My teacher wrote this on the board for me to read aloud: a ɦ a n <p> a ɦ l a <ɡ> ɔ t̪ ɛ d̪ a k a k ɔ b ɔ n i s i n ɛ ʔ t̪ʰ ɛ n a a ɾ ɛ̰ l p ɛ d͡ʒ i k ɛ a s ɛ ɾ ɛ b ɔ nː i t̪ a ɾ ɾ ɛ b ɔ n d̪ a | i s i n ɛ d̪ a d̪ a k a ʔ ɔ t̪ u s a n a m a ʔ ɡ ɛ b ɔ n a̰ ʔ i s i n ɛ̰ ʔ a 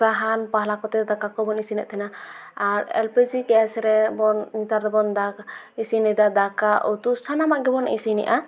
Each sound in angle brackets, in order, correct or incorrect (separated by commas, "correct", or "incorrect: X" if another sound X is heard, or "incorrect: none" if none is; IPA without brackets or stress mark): correct, incorrect: k